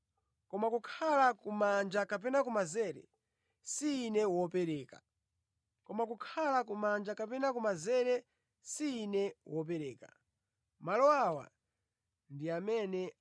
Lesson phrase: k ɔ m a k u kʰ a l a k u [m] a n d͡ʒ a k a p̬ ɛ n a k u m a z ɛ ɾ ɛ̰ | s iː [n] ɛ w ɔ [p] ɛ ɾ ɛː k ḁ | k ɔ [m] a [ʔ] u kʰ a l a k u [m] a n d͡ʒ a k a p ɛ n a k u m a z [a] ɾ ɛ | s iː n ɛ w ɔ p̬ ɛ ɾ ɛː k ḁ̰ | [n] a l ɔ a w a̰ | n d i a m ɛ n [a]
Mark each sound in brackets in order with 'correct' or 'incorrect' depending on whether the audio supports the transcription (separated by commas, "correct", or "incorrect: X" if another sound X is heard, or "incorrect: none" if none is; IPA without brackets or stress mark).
correct, correct, correct, correct, incorrect: k, correct, incorrect: ɛ, incorrect: m, incorrect: ɛ